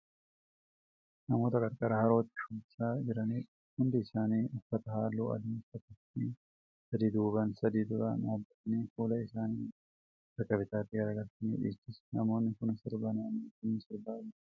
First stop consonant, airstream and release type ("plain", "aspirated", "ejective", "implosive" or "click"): plain